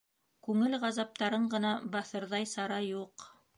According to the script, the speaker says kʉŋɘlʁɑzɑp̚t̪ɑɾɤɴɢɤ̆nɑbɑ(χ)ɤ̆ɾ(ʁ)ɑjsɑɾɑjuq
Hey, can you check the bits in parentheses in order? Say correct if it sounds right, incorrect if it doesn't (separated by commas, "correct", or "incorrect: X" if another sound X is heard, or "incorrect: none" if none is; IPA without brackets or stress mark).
incorrect: θ, incorrect: ð